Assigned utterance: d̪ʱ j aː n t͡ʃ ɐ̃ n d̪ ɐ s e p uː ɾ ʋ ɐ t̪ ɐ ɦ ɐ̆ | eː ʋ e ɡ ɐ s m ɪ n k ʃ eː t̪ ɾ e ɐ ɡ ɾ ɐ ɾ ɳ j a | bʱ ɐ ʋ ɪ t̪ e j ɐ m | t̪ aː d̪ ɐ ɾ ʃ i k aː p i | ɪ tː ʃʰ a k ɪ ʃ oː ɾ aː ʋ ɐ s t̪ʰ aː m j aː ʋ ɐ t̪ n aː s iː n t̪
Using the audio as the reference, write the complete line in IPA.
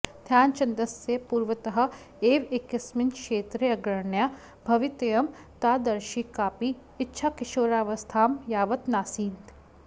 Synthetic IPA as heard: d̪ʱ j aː n t͡ʃ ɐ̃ n d̪ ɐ s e p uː ɾ ʋ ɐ t̪ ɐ ɦ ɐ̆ | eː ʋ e k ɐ s m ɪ n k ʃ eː t̪ ɾ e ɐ ɡ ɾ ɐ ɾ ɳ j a | bʱ ɐ ʋ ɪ t̪ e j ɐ m | t̪ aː d̪ ɐ ɾ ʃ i k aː p i | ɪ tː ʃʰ a k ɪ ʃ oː ɾ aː ʋ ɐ s t̪ʰ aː m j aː ʋ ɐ t̪ n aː s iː n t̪